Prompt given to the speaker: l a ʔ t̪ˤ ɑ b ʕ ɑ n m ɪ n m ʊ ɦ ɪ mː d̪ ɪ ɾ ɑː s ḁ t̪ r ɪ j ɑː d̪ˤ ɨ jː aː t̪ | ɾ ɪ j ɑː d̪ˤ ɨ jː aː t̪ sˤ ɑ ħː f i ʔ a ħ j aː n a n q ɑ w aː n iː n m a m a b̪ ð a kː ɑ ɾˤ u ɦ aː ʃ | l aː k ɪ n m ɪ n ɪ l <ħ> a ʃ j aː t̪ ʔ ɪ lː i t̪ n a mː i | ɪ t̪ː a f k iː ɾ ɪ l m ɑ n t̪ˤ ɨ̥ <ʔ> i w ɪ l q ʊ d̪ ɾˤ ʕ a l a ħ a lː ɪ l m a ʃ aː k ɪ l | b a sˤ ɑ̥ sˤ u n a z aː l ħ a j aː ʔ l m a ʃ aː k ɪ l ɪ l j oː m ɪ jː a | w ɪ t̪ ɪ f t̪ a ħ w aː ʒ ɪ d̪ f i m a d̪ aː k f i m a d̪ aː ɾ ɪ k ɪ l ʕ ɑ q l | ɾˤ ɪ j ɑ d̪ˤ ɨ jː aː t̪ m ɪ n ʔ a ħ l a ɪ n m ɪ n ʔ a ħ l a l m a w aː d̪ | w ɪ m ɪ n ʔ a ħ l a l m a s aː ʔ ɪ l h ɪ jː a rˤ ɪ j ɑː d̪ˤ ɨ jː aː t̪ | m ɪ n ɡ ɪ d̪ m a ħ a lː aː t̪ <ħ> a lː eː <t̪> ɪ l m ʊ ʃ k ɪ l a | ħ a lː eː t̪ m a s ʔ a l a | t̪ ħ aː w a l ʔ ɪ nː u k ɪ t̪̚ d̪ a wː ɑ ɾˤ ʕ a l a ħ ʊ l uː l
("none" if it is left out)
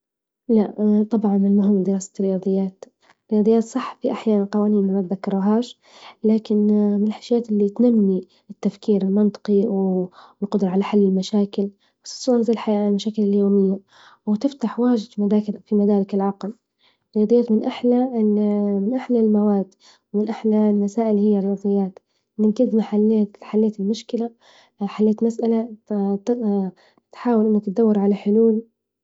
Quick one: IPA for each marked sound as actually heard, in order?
ħ, q, ħ, t̪

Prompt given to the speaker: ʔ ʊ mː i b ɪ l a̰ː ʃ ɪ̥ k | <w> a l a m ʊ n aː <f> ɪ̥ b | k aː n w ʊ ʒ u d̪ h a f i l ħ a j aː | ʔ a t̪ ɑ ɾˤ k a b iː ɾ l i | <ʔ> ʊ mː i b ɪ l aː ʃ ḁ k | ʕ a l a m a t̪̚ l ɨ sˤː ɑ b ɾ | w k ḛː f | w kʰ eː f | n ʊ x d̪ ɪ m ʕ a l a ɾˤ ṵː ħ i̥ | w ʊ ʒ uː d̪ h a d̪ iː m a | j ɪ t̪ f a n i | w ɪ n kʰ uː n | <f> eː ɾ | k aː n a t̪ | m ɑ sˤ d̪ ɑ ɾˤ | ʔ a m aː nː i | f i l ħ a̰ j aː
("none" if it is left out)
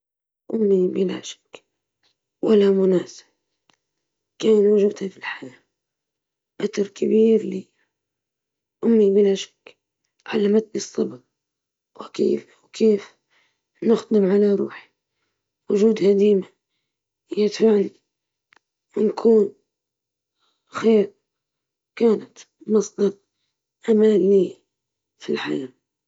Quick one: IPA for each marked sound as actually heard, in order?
w, s, ʔ, x

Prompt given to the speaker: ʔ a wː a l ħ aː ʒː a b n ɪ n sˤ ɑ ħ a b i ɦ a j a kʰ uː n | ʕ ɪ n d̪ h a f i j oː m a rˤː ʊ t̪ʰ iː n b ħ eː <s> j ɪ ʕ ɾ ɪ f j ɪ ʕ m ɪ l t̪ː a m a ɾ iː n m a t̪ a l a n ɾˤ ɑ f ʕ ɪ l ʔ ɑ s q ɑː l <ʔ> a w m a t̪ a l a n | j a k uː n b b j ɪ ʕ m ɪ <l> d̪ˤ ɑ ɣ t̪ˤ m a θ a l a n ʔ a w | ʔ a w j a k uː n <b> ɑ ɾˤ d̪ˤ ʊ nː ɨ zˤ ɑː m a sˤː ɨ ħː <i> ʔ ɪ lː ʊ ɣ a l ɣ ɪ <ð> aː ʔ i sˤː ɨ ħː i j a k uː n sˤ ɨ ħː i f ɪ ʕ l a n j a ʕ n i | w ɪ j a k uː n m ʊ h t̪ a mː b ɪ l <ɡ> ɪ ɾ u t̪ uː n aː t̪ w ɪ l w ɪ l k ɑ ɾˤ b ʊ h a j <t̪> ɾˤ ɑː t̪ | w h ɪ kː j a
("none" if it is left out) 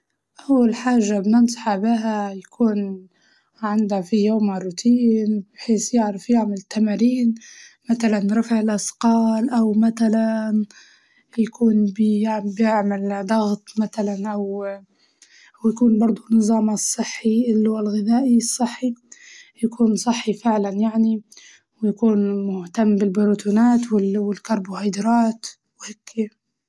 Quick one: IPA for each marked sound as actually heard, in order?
s, ʔ, l, b, i, ð, b, d̪

